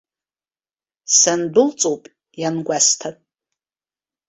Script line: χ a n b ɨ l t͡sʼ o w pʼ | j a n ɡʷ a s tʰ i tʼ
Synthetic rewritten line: s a n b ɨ l t͡sʼ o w pʼ | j a n ɡʷ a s tʰ a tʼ